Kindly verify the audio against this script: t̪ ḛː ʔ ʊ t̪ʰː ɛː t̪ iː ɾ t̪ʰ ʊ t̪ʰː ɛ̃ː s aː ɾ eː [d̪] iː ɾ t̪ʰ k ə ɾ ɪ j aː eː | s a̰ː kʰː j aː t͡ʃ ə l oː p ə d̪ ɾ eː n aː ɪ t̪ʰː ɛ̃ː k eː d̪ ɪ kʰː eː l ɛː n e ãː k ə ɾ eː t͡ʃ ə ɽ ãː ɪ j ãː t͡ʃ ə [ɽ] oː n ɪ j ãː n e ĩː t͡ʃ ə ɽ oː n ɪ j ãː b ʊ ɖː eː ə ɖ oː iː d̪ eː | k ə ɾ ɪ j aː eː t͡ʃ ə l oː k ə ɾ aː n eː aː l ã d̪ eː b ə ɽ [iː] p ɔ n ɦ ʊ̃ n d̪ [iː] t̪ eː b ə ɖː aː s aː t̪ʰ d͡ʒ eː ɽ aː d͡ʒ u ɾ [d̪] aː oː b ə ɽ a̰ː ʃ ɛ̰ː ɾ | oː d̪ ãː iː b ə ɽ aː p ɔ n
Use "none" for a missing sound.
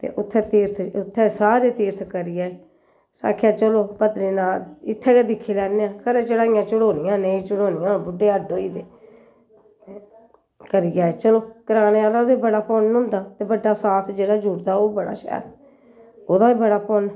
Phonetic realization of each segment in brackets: t̪, ɽ, aː, aː, d̪

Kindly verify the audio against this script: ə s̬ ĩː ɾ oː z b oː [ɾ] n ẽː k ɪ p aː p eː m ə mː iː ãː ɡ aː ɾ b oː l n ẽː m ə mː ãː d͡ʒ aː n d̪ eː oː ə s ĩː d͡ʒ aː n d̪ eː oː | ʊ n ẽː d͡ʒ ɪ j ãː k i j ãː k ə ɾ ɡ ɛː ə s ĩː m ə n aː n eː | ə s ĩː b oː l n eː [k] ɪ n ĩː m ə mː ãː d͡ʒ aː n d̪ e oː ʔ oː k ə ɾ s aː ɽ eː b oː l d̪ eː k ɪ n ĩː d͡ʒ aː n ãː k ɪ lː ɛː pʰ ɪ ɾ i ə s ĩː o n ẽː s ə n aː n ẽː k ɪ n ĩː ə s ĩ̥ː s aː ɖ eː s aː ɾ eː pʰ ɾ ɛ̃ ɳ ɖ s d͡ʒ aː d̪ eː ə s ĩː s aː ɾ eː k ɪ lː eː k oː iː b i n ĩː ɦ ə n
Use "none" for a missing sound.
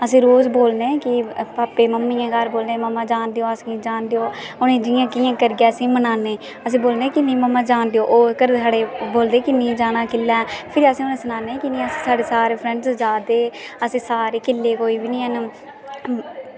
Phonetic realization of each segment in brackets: l, k

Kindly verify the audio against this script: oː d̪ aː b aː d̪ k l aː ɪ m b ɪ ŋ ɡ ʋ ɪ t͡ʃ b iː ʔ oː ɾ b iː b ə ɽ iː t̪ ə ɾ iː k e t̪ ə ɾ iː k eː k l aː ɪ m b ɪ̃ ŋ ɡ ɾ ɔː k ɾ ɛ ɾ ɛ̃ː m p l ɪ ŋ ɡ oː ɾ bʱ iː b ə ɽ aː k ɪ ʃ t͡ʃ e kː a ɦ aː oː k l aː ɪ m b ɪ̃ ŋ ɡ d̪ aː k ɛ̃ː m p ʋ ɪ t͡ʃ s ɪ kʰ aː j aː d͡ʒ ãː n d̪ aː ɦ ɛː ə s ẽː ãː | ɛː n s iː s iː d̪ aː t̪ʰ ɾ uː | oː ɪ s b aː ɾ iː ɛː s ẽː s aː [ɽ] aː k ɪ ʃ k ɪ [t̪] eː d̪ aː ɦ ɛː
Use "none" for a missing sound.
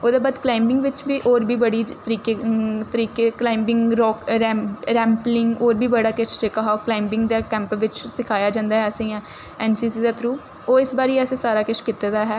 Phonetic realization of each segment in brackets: ɾ, t̪

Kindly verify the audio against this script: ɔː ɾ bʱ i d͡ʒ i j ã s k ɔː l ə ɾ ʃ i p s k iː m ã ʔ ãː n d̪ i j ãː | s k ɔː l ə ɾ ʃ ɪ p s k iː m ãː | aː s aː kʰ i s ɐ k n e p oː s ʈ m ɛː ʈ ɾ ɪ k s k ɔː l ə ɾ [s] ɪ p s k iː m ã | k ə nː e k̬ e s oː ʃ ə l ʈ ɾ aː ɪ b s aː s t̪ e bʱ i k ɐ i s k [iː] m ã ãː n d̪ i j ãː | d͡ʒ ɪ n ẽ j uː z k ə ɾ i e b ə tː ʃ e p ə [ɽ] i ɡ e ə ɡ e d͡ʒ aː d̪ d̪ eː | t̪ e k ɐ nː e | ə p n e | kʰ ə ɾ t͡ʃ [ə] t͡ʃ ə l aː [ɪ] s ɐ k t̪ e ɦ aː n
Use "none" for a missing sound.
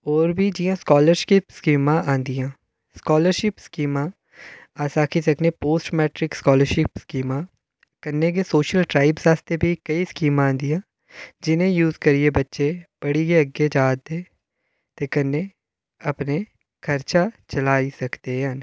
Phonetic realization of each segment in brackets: ʃ, iː, ɽ, a, i

